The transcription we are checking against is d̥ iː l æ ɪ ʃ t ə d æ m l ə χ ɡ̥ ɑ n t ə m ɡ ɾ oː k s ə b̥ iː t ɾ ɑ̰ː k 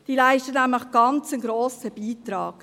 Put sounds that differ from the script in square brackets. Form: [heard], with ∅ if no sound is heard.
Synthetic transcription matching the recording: d̥ iː l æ ɪ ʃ t ə [n] æ m l ə χ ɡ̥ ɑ n [t͡s] ə [n] ɡ ɾ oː [∅] s ə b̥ iː t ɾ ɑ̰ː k